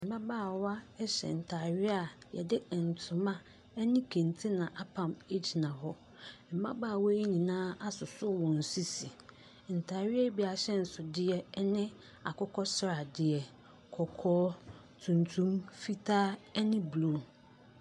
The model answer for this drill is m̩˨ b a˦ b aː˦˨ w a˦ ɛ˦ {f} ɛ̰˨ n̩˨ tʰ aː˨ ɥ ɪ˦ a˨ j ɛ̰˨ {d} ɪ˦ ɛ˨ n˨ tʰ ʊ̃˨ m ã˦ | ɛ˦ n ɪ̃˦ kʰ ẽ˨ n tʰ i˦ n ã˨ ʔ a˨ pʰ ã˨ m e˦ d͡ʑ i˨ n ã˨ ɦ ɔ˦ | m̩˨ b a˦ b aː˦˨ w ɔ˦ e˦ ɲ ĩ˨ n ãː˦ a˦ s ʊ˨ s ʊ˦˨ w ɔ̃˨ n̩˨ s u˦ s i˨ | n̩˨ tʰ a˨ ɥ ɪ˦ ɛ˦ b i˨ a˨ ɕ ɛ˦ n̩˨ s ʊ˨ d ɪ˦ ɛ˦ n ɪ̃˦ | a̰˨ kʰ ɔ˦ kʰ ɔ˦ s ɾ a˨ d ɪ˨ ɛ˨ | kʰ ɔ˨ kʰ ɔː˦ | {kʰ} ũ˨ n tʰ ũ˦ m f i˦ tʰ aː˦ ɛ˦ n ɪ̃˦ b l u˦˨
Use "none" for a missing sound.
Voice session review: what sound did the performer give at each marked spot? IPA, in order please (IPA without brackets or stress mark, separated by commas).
ɕ, d, tʰ